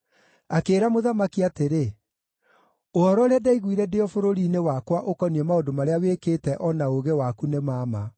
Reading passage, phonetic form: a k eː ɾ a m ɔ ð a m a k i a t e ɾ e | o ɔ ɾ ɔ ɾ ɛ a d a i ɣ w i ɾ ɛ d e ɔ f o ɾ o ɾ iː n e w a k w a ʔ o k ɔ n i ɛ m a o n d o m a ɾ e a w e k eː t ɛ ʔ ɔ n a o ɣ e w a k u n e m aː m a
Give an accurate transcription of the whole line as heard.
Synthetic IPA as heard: a k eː ɾ a m o ð a m a k i a t e ɾ e | o ɔ ɾ ɔ ɾ e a d a i ɣ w i ɾ ɛ d e ɔ f o ɾ o ɾ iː n e w a k w a ʔ o k ɔ n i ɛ m a o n d o m a ɾ e a w e k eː t ɛ ʔ ɔ n a o ɣ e w a k u n e m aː m a